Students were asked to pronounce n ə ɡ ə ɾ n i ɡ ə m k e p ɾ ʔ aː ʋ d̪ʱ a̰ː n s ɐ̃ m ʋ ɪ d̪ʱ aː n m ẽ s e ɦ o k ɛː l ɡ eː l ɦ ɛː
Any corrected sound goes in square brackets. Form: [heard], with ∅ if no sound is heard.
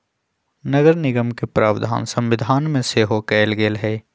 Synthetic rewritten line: n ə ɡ ə ɾ n [ɪ] ɡ ə m k e p ɾ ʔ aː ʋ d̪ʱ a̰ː n s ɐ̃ m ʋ ɪ d̪ʱ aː n m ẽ s e ɦ o k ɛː l ɡ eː l ɦ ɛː